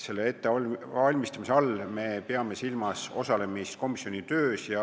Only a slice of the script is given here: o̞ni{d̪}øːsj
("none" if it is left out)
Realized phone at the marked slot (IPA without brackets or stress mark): t̪